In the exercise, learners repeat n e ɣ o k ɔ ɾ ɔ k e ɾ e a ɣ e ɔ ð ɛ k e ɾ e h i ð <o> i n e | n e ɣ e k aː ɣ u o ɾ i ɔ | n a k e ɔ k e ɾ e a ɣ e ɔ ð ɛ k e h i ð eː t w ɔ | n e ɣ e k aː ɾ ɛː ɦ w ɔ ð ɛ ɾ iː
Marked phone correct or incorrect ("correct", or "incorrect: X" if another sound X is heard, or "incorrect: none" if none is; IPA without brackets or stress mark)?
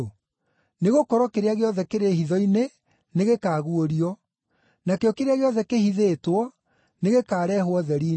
incorrect: ɔ